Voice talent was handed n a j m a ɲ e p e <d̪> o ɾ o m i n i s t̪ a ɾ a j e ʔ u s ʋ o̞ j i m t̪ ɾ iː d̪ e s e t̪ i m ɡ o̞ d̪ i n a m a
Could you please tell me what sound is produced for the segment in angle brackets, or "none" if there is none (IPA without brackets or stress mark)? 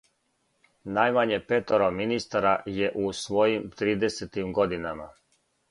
t̪